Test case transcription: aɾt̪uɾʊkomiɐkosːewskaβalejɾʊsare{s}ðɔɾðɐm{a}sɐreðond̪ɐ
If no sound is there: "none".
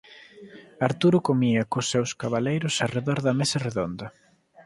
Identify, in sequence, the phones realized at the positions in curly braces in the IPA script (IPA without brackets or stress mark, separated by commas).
none, e